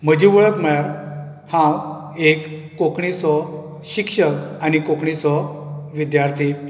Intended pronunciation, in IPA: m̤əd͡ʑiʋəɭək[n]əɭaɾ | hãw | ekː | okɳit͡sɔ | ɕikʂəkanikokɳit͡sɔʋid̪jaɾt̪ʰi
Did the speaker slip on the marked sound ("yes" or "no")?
yes